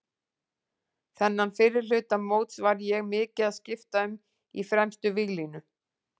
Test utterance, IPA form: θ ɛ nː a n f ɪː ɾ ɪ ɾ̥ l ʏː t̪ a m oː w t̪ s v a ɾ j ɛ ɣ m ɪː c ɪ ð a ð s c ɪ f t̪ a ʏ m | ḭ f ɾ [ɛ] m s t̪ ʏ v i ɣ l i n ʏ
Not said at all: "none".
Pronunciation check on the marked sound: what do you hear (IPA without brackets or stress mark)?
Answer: ɛ